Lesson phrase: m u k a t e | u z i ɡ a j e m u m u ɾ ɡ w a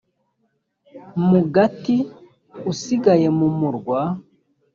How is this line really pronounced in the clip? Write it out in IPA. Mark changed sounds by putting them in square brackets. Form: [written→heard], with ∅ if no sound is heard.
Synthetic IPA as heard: m u [k→ɡ] a t [e→i] | u [z→s] i ɡ a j e m u m u ɾ ɡ w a